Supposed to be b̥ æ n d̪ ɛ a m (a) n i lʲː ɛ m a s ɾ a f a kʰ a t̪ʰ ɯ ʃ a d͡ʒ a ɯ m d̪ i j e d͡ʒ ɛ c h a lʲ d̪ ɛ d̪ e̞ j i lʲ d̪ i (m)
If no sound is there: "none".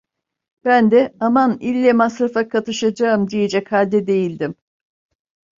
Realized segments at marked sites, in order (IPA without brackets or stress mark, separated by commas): a, m